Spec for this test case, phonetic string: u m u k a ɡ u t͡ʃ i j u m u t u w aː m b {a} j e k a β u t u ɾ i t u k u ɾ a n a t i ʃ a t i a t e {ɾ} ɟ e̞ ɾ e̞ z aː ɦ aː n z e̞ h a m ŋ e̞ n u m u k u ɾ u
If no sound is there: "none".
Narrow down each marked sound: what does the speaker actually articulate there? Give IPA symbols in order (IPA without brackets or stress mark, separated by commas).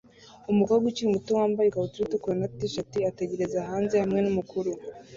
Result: a, none